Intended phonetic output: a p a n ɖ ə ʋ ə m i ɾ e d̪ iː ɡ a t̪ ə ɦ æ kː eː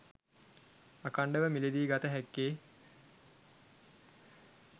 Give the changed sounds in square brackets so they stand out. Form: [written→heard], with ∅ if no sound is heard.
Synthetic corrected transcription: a [p→k] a [n→ɳ] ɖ ə ʋ ə m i [ɾ→l] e d̪ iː ɡ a t̪ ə ɦ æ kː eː